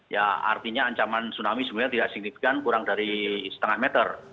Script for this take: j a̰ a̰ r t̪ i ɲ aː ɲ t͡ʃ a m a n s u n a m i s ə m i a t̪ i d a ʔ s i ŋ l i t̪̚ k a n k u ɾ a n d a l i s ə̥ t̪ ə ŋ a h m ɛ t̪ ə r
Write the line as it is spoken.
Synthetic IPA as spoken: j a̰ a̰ r t̪ i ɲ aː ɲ t͡ʃ a m a n s u n a m i s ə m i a t̪ i d a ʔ s i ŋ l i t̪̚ k a n k u ɾ a ŋ d a ɾ i s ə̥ t̪ ə ŋ a h m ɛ t̪ ə r